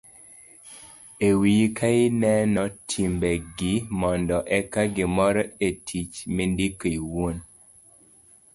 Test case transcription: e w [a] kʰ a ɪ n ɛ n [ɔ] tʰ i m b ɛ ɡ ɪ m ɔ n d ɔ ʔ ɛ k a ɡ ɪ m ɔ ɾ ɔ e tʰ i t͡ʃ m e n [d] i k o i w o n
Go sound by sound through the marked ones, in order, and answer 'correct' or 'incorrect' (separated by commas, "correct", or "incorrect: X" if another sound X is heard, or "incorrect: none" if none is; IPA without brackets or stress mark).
incorrect: i, correct, correct